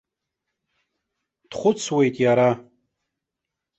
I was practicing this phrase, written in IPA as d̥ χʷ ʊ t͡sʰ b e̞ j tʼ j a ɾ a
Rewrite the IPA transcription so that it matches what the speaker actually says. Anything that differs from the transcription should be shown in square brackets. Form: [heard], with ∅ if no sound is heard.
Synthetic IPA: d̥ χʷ ʊ t͡sʰ [w] e̞ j tʼ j a ɾ a

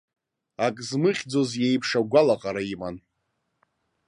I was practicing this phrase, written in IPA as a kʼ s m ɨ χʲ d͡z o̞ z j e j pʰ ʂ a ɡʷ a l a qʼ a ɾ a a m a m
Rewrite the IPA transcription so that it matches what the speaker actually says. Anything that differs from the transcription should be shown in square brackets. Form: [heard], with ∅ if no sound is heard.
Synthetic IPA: a kʼ [z] m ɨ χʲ d͡z o̞ z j e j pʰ ʂ a ɡʷ a l a qʼ a ɾ a [i] m a [n]

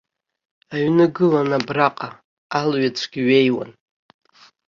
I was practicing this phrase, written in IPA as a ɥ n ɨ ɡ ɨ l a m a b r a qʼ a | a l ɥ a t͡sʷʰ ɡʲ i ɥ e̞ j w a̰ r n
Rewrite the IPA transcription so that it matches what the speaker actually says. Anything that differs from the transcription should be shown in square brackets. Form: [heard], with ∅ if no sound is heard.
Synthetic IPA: a ɥ n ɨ ɡ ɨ l a [n] a b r a qʼ a | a l ɥ a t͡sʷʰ ɡʲ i ɥ e̞ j w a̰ [∅] n

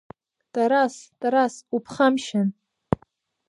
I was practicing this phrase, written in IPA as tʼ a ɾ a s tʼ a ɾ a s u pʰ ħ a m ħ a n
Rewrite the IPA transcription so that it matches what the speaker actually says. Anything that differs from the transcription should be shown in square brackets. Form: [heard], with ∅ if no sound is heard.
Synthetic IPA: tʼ a ɾ a s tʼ a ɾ a s u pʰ [χ] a m [ʃ] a n

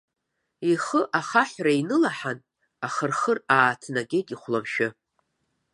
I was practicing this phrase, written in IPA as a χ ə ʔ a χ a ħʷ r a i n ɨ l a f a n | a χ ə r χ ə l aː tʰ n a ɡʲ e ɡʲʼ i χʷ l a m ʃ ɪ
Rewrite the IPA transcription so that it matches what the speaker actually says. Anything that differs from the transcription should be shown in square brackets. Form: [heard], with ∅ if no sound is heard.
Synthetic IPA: [i] χ ə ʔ a χ a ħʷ r a i n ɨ l a [ħ] a n | a χ ə r χ ə [r] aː tʰ n a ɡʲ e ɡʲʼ i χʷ l a m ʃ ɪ

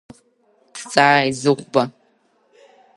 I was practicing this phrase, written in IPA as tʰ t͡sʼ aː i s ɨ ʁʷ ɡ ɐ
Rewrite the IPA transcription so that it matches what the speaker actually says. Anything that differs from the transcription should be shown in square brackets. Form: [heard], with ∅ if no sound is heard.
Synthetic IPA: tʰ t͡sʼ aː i [z] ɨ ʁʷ [b] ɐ

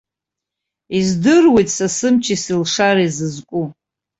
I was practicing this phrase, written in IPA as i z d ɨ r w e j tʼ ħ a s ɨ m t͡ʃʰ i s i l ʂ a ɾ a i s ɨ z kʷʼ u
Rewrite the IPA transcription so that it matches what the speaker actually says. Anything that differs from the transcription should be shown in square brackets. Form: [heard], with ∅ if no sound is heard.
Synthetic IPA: i z d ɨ r w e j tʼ [s] a s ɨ m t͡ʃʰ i s i l ʂ a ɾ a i [z] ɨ z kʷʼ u

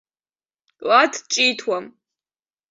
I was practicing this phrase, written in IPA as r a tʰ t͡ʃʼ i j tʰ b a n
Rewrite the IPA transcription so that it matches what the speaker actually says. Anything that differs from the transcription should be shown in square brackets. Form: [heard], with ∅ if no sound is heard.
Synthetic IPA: [l] a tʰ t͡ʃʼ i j tʰ [w] a [m]

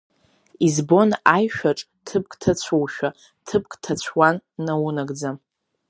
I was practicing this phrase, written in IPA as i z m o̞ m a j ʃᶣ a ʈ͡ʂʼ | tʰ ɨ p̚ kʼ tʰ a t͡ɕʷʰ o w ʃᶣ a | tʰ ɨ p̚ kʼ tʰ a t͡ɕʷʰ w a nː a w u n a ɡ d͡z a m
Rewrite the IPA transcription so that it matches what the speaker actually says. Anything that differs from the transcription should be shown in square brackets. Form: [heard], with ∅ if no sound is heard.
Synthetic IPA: i z [b] o̞ [n] a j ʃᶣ a ʈ͡ʂʼ | tʰ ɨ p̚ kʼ tʰ a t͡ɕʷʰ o w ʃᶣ a | tʰ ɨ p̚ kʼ tʰ a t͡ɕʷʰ w a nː a w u n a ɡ d͡z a m

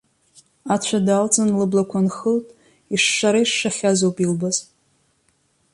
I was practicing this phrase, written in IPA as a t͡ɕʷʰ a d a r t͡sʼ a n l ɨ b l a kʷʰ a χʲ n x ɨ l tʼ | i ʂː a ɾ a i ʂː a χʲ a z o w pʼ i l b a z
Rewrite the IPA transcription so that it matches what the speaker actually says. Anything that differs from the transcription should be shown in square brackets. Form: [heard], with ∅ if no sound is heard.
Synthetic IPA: a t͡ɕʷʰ a d a [l] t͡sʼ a n l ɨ b l a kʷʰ a [∅] n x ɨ l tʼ | i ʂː a ɾ a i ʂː a χʲ a z o w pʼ i l b a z

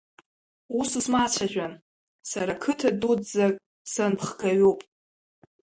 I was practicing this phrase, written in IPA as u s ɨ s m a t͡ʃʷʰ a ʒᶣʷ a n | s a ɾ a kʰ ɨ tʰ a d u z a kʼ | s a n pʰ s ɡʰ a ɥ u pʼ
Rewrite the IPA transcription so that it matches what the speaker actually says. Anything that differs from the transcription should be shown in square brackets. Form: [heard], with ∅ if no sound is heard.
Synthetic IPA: u s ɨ s m a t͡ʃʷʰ a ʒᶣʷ a n | s a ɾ a kʰ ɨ tʰ a d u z a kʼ | s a n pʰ [χ] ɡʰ a ɥ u pʼ

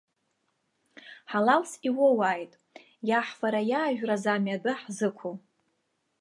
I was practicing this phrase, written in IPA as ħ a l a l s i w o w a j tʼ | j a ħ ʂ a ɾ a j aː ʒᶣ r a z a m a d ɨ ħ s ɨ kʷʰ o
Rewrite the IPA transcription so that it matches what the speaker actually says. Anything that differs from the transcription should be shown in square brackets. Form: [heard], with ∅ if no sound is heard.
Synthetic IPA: ħ a l a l s i w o w a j tʼ | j a ħ [f] a ɾ a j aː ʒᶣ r a z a m a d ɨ ħ [z] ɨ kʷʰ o

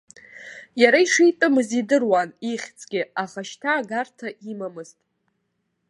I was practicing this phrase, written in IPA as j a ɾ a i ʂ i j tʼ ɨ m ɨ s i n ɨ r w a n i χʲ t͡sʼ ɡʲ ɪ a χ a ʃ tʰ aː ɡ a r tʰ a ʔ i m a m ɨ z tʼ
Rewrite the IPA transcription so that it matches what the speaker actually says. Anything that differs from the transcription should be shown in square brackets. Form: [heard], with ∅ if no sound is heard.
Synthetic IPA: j a ɾ a i ʂ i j tʼ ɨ m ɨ [z] i [d] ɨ r w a n i χʲ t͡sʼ ɡʲ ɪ a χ a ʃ tʰ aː ɡ a r tʰ a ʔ i m a m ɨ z tʼ

